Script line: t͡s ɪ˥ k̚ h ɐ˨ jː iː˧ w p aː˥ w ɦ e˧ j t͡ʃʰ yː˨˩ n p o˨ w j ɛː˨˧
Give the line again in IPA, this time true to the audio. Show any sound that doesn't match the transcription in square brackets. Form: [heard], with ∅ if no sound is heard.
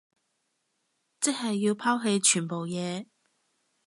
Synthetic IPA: t͡s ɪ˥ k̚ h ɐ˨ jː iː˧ w [pʰ] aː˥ w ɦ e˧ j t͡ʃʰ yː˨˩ n p o˨ w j ɛː˨˧